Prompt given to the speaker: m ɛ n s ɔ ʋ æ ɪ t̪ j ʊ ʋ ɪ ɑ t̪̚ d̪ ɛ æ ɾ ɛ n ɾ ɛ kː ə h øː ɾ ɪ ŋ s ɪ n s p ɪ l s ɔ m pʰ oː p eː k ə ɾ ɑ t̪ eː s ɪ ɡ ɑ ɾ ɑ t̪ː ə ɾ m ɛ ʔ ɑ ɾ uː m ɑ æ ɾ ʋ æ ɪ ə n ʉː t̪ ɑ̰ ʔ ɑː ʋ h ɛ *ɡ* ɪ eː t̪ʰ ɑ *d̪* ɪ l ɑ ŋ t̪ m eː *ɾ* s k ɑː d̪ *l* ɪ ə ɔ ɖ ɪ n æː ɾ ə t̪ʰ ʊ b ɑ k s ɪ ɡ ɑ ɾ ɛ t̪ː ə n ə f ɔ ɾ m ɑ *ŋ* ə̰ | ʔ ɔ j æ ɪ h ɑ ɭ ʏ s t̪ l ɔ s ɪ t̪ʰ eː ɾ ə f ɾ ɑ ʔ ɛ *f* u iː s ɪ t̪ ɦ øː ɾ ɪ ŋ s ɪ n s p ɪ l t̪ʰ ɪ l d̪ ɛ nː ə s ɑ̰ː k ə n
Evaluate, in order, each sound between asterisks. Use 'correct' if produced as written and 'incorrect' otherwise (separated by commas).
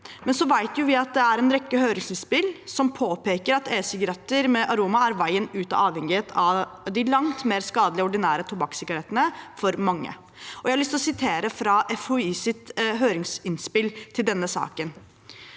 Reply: incorrect, correct, correct, correct, incorrect, correct